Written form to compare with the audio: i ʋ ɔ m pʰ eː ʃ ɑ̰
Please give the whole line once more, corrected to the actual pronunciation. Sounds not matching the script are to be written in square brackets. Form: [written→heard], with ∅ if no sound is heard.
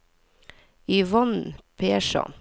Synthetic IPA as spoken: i ʋ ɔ [m→n] pʰ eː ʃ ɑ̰